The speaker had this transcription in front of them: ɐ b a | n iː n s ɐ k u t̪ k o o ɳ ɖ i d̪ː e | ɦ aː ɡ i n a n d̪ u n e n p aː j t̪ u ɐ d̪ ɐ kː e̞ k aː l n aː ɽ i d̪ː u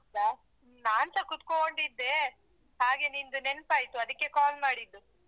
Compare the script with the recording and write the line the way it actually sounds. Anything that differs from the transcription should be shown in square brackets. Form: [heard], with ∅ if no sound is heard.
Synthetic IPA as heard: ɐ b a | n [aː] n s ɐ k u t̪ k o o ɳ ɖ i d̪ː e | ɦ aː ɡ [e] n [i] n d̪ u n e n p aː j t̪ u ɐ d̪ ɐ kː e̞ k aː l [m] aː ɽ i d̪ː u